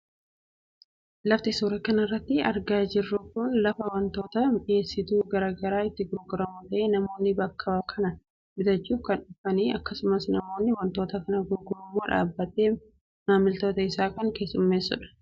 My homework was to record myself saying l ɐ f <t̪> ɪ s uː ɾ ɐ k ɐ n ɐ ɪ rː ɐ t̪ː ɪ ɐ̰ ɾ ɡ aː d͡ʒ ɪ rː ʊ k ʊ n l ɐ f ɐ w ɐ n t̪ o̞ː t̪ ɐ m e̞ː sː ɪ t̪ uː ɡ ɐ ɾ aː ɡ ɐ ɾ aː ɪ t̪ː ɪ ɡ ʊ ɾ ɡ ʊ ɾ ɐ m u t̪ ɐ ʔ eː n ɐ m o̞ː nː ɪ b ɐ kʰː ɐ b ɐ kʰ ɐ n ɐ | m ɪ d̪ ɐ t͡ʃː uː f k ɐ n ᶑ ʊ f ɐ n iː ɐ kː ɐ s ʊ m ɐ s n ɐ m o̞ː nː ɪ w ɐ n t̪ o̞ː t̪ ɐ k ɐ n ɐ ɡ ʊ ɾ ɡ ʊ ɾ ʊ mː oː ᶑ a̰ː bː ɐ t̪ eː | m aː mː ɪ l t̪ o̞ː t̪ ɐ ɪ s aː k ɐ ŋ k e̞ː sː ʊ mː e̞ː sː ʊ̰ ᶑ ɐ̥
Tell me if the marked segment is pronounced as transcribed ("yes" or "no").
yes